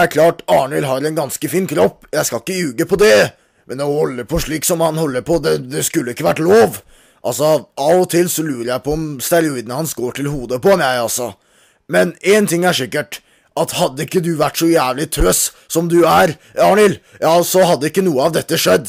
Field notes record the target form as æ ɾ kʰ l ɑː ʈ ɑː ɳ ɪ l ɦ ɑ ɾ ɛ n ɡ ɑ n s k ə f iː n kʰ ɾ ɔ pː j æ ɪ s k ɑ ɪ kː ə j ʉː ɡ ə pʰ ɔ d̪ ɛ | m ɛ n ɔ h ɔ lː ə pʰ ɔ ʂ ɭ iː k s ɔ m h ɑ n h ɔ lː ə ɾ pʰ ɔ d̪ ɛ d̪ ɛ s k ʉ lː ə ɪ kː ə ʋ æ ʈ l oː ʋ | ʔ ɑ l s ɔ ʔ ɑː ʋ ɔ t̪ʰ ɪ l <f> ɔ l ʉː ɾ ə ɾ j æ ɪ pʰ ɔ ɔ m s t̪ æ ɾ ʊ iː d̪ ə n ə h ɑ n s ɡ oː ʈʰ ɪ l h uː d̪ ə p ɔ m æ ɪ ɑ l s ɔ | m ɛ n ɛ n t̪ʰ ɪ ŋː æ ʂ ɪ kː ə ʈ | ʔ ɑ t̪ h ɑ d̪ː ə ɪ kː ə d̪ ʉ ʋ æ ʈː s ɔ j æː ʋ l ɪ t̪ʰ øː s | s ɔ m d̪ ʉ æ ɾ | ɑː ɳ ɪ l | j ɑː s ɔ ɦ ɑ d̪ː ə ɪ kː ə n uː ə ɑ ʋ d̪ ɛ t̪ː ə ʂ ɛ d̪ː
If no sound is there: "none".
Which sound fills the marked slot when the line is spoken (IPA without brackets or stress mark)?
s